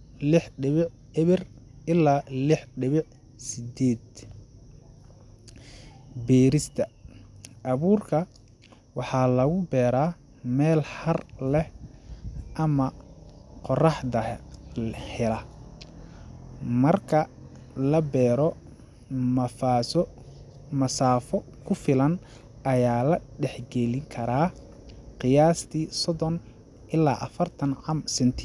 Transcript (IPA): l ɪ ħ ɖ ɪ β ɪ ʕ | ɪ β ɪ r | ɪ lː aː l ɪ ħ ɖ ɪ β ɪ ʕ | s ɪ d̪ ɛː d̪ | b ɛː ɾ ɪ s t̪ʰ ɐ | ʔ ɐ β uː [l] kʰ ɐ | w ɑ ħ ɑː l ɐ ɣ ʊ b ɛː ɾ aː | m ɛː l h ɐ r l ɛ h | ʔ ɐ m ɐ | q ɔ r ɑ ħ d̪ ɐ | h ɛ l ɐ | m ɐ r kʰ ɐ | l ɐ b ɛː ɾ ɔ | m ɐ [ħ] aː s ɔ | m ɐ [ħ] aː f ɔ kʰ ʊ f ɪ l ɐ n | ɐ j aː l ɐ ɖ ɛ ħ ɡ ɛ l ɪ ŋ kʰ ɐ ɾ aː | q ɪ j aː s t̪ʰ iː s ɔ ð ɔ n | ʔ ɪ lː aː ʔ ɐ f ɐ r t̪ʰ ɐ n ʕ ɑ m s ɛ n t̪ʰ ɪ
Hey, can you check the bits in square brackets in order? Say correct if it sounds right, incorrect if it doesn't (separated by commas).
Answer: incorrect, incorrect, incorrect